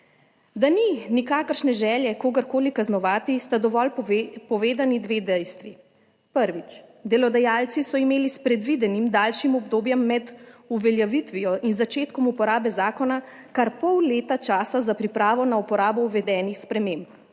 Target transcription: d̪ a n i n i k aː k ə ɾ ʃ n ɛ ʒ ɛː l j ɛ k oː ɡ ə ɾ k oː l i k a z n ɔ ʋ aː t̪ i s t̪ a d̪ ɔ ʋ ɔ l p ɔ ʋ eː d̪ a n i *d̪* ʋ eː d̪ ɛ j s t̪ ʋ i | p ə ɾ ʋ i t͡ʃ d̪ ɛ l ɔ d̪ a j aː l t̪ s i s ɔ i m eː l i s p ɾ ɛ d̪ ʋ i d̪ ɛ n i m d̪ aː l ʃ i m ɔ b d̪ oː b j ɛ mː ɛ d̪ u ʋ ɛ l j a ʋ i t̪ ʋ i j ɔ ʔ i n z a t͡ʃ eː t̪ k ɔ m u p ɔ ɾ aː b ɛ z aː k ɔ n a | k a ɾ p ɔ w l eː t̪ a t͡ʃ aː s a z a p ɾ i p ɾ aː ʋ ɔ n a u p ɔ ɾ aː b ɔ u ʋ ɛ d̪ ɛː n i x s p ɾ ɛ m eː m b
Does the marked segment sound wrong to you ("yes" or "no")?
no